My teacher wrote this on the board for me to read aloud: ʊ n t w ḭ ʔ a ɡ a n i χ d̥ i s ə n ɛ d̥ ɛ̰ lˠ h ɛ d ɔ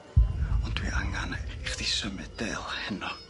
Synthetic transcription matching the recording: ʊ n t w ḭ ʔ a ŋ a n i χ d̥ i s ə m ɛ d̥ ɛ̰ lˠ h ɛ n ɔ